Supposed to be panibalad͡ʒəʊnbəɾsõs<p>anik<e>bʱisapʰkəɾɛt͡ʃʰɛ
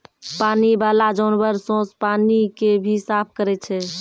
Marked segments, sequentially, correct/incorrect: correct, correct

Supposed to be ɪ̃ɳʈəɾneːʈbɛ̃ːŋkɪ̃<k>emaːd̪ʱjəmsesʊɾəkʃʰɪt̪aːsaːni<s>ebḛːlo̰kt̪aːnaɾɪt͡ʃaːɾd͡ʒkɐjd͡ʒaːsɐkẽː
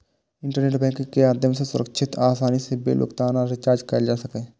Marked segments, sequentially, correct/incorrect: correct, correct

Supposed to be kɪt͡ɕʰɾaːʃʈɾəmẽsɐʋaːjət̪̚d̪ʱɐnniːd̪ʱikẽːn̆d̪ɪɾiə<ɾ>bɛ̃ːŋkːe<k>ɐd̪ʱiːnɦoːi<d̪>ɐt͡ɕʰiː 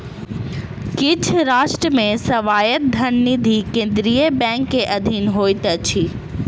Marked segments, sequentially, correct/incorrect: incorrect, incorrect, incorrect

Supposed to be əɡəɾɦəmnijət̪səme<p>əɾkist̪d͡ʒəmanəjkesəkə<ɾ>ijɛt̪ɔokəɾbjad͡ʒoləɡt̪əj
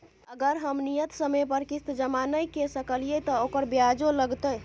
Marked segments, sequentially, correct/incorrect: correct, incorrect

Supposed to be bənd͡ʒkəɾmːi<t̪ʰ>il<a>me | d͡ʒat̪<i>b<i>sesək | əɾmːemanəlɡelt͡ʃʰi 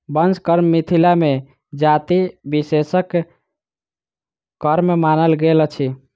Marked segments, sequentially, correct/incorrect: correct, correct, correct, correct

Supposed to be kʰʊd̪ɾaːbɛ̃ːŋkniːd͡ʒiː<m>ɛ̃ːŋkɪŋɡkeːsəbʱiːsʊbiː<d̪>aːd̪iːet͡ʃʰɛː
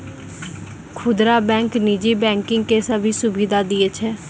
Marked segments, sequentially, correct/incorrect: incorrect, correct

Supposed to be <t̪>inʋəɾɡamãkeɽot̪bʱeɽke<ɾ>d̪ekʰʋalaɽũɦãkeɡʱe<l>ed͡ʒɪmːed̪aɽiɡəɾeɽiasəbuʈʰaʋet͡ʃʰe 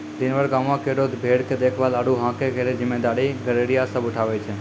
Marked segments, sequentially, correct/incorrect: incorrect, incorrect, incorrect

